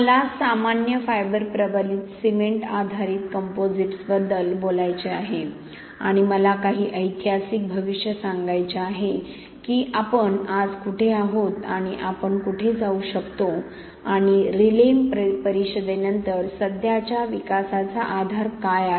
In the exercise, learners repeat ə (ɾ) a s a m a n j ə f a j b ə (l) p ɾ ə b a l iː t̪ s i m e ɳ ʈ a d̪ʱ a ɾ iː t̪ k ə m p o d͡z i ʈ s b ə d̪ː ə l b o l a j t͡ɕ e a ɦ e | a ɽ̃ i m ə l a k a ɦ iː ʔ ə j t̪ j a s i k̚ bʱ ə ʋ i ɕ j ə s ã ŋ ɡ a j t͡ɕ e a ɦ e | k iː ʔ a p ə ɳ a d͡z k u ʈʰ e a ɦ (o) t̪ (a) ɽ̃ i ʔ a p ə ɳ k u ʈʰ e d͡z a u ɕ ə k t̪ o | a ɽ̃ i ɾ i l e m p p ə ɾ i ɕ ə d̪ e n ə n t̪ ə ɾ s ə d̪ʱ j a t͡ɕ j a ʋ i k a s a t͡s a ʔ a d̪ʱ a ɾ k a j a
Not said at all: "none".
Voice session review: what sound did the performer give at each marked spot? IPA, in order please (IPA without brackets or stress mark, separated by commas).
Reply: l, ɾ, o, a